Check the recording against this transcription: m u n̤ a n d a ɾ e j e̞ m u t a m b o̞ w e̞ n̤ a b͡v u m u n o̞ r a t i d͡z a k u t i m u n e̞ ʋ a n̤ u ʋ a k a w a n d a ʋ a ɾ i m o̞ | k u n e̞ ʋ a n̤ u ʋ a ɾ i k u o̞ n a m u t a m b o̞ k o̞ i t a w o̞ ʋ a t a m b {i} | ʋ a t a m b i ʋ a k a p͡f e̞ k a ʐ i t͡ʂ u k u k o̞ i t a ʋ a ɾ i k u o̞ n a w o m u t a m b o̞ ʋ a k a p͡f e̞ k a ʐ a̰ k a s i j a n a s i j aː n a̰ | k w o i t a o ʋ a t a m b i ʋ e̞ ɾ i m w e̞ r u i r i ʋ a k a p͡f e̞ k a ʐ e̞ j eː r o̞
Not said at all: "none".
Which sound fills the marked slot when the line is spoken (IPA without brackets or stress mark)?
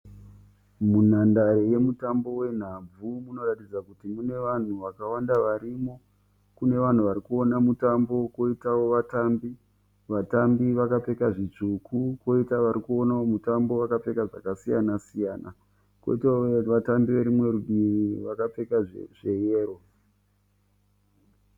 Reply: i